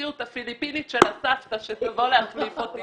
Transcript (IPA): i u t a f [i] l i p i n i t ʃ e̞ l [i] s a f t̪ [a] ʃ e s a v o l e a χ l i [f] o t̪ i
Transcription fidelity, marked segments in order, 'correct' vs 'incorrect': correct, incorrect: a, correct, correct

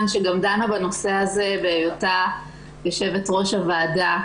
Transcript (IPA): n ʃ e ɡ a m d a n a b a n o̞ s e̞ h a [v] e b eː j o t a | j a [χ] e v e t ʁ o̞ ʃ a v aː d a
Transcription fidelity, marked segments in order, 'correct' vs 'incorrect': incorrect: z, incorrect: ʃ

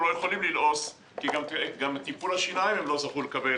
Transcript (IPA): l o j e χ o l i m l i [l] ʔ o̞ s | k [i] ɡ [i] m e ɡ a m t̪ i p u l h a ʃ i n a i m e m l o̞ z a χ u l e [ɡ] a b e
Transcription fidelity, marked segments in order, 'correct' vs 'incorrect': correct, correct, incorrect: a, incorrect: k

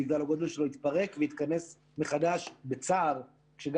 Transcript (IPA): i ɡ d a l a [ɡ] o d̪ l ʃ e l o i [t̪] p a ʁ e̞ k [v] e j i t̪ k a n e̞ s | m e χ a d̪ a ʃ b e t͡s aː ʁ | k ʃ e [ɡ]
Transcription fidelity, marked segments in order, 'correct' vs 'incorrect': correct, correct, correct, correct

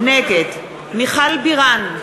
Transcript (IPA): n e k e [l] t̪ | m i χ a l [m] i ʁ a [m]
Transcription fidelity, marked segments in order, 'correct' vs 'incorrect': incorrect: none, incorrect: b, incorrect: n

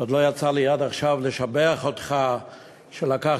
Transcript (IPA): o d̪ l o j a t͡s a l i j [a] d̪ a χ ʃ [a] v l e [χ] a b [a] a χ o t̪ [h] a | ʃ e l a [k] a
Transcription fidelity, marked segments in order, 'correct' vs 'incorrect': correct, correct, incorrect: ʃ, incorrect: e, incorrect: χ, correct

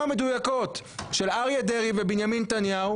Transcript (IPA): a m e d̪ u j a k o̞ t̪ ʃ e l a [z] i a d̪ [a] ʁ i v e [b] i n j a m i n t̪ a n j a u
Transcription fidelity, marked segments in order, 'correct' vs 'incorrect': incorrect: ʁ, incorrect: e, correct

